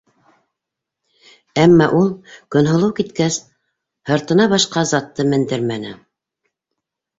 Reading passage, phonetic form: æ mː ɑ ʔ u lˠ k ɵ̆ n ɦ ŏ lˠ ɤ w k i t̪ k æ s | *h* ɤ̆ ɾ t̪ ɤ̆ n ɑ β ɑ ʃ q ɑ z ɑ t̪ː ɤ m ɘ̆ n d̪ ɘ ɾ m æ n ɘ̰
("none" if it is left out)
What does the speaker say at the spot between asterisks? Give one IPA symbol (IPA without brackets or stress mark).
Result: h